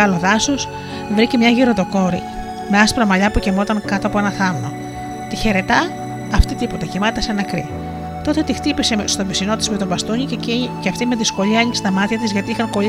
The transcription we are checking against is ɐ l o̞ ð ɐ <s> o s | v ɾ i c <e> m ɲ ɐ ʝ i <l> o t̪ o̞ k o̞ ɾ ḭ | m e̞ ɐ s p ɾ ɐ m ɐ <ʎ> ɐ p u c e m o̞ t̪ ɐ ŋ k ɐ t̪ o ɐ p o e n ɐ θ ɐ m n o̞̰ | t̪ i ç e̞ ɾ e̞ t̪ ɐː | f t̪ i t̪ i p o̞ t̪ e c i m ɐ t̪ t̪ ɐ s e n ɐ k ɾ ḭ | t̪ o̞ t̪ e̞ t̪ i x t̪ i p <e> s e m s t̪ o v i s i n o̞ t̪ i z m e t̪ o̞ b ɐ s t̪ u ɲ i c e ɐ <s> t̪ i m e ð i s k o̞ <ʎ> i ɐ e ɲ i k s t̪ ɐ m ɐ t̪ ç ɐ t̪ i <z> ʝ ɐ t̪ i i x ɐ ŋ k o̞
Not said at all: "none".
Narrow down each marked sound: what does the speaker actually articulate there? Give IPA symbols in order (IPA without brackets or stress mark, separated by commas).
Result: s, e, ɾ, ʎ, i, f, ʎ, z